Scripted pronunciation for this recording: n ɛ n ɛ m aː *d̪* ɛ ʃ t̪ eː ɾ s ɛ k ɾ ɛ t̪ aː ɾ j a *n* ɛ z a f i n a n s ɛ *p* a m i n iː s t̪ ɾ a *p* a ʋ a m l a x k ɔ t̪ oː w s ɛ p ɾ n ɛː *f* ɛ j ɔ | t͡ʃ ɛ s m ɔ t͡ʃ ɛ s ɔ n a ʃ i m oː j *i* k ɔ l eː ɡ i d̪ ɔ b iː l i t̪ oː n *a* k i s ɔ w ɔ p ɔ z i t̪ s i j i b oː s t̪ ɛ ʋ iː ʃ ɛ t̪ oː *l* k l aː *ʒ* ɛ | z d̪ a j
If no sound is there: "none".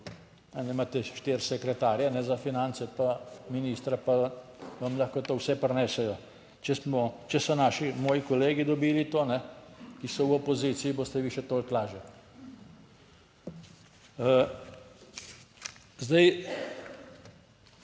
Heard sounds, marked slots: t̪, n, p, p, s, i, ɛ, l, ʒ

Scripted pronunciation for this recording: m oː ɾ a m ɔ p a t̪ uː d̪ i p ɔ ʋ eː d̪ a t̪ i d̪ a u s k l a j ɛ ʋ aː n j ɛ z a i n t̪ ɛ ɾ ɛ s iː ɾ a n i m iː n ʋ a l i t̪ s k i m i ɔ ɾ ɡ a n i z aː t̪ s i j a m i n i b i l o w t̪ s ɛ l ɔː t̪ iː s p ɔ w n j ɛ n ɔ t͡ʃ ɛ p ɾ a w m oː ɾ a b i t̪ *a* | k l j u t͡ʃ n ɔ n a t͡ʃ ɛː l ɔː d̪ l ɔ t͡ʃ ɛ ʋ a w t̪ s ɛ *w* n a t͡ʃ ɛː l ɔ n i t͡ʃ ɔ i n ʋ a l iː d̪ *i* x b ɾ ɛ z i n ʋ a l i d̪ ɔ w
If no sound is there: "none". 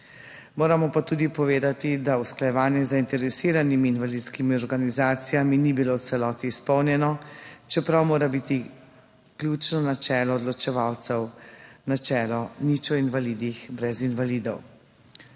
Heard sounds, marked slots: i, w, i

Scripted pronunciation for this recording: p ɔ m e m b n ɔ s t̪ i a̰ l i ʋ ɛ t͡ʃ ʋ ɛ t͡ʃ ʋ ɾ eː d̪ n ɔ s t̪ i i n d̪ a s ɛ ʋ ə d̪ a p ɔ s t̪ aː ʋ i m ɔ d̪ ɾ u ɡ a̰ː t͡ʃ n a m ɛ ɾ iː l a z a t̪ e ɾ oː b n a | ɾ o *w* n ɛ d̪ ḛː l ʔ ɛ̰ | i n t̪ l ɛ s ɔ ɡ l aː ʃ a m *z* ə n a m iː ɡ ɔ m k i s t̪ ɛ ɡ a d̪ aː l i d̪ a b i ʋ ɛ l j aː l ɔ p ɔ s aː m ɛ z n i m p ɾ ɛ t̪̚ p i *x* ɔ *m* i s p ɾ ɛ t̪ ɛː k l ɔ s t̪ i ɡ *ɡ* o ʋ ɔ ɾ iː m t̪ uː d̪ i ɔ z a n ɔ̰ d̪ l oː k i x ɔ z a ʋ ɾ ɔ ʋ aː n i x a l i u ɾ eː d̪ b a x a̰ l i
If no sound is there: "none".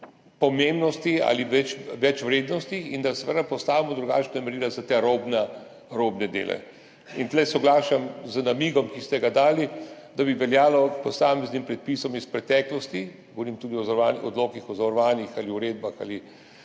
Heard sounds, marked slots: b, z, s, m, ɡ

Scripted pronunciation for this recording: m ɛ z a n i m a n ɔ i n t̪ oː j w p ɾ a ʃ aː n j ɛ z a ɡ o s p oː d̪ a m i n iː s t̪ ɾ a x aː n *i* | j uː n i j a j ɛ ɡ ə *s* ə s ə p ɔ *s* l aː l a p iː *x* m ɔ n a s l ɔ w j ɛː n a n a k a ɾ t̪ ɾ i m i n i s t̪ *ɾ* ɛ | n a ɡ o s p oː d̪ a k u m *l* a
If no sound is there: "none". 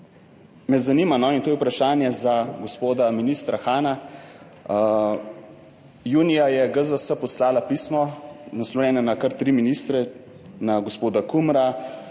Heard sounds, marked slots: a, z, s, s, ɾ, ɾ

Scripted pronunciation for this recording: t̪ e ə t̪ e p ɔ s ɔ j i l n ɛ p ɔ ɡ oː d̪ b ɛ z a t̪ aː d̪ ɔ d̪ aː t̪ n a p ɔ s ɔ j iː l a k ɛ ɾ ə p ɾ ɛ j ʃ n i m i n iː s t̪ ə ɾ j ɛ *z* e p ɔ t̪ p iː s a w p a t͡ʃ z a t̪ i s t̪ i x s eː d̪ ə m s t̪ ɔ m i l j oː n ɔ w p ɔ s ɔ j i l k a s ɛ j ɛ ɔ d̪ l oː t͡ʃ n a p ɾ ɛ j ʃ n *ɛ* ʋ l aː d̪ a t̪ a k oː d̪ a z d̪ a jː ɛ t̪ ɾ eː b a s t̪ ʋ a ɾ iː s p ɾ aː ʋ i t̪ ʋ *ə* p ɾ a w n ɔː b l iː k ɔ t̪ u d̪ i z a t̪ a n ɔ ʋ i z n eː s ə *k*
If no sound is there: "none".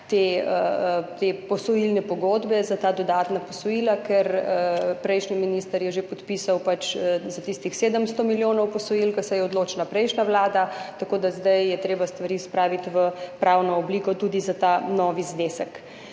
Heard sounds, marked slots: ʒ, a, ə, k

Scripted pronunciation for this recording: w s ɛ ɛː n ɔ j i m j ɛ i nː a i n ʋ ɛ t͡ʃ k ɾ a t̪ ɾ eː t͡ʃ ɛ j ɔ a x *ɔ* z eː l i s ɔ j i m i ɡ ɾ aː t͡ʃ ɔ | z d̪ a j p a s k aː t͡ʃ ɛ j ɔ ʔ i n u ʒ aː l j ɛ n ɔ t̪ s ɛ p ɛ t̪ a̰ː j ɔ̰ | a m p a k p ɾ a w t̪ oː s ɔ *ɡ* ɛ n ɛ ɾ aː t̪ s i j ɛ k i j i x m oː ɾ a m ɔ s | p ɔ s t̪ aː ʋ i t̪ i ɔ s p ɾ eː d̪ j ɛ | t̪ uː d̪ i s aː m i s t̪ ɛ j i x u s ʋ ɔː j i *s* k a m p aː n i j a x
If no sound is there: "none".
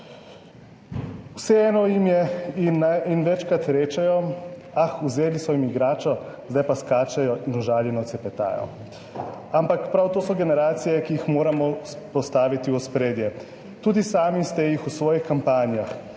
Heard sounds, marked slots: u, ɡ, x

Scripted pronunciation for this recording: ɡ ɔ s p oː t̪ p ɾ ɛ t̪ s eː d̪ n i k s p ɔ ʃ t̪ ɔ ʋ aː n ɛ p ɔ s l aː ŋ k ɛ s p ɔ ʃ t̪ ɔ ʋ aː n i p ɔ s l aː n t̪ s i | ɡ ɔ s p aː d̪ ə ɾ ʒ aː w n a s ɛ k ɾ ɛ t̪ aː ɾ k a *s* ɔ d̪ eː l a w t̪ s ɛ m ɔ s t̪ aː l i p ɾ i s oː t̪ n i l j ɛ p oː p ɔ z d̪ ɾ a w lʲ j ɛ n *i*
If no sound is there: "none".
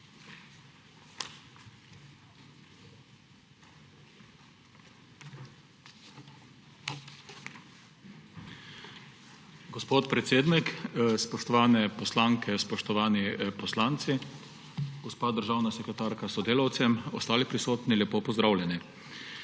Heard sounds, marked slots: s, i

